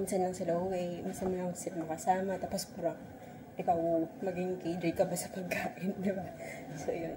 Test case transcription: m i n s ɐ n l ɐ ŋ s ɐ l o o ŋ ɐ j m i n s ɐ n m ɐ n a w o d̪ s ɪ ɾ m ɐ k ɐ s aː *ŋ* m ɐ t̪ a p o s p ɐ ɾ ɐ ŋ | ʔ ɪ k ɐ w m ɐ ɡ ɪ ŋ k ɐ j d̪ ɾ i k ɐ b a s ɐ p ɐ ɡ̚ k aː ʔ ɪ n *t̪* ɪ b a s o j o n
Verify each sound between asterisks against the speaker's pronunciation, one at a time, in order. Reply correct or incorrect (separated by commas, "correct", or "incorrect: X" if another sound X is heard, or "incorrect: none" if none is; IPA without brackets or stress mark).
incorrect: none, incorrect: d̪